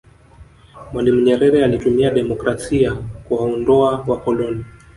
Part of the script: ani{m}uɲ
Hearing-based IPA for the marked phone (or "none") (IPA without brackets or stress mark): m